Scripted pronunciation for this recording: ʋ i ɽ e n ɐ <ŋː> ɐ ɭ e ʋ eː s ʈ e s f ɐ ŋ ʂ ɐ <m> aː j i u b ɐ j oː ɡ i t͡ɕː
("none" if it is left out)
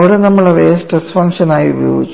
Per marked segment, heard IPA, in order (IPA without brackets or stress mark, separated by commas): mː, n